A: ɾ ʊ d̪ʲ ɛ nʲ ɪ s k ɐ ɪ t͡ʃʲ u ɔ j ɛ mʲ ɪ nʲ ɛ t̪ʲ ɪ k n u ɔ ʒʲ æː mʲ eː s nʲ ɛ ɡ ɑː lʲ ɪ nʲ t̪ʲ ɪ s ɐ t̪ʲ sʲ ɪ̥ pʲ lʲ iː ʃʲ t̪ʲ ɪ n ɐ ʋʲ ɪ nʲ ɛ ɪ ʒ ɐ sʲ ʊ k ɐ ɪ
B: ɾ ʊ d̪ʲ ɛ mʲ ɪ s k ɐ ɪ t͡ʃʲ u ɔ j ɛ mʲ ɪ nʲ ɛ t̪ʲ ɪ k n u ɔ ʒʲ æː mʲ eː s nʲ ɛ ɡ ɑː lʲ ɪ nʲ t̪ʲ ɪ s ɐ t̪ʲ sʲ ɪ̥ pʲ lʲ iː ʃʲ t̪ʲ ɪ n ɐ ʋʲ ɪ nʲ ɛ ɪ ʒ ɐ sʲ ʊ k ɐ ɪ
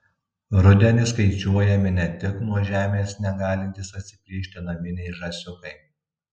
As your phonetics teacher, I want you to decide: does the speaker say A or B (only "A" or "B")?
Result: A